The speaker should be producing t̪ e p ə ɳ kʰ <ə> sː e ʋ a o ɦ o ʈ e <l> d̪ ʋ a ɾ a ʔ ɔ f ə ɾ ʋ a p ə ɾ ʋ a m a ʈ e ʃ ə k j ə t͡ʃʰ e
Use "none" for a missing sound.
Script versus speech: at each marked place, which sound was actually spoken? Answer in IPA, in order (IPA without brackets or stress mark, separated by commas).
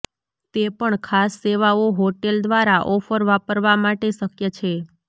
a, l